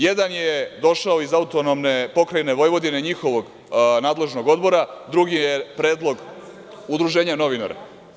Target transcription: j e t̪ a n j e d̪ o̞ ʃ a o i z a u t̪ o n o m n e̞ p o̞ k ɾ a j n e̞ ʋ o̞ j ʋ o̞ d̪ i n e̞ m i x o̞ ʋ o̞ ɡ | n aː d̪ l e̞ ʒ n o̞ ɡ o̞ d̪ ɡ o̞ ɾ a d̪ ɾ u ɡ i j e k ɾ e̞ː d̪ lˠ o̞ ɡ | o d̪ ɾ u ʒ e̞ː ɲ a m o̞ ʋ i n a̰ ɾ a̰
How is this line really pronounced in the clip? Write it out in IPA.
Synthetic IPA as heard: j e d̪ a n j e d̪ o̞ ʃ a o i z a u t̪ o n o m n e̞ p o̞ k ɾ a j n e̞ ʋ o̞ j ʋ o̞ d̪ i n e̞ ɲ i x o̞ ʋ o̞ ɡ | n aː d̪ l e̞ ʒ n o̞ ɡ o̞ d̪ b o̞ ɾ a d̪ ɾ u ɡ i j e p ɾ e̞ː d̪ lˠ o̞ ɡ | u d̪ ɾ u ʒ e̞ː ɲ a n o̞ ʋ i n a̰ ɾ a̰